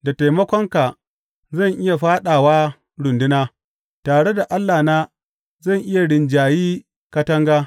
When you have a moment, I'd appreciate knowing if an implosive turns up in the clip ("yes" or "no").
yes